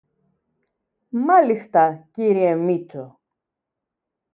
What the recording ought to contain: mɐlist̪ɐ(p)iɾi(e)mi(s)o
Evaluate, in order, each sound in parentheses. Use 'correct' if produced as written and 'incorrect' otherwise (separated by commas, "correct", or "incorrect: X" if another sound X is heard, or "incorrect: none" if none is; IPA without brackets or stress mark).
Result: incorrect: c, correct, incorrect: t͡s